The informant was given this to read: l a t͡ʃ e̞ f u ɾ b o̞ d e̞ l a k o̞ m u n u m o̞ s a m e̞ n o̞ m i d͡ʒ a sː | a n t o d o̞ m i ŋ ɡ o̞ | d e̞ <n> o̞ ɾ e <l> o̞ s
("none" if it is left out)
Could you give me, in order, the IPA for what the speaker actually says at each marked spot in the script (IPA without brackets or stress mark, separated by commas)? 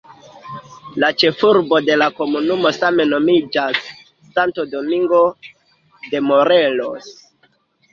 m, l